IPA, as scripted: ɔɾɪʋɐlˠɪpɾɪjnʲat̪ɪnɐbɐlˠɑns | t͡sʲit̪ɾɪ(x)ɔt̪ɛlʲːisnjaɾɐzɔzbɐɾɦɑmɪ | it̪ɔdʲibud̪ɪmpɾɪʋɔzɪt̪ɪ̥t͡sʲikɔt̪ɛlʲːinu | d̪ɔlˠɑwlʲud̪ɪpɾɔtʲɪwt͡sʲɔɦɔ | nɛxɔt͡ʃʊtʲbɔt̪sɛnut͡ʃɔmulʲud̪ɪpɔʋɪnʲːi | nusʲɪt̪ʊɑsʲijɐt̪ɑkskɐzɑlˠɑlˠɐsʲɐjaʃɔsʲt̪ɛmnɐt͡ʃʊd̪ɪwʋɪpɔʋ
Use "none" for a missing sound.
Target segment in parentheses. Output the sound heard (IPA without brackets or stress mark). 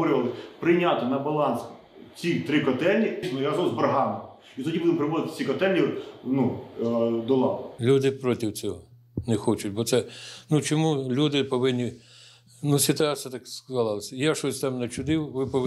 k